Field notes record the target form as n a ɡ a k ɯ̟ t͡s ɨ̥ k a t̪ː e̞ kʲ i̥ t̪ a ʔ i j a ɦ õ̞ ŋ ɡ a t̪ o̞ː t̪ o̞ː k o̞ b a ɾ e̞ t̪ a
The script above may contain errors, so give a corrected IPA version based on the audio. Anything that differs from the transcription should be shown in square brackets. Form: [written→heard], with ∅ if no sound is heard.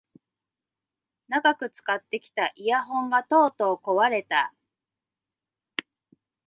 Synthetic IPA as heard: n a ɡ a k ɯ̟ t͡s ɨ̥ k a t̪ː e̞ kʲ i̥ t̪ a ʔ i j a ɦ õ̞ ŋ ɡ a t̪ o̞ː t̪ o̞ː k o̞ [b→β] a ɾ e̞ t̪ a